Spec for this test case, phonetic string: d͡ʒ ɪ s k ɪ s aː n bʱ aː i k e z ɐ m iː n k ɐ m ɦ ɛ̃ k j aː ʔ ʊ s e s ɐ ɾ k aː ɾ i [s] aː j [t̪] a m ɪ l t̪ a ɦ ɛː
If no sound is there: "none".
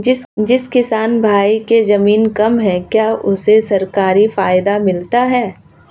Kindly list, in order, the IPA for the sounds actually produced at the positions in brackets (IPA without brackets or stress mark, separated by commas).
f, d̪